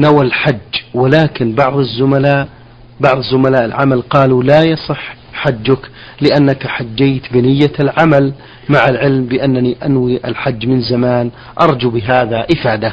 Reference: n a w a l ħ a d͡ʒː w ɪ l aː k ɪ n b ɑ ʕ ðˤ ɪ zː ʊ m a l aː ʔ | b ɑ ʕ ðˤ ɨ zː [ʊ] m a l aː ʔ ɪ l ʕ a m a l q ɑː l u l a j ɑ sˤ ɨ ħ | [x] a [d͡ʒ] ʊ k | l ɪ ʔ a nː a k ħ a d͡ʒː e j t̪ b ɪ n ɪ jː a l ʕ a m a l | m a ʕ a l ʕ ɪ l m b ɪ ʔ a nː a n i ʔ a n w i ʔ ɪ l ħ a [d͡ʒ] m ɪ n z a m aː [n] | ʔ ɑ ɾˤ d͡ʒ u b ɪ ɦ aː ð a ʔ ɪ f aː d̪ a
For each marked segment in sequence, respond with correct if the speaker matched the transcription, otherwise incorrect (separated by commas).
correct, incorrect, incorrect, incorrect, correct